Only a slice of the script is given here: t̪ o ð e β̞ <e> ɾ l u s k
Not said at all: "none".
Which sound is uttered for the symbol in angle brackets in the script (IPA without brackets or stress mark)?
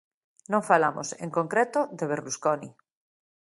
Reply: e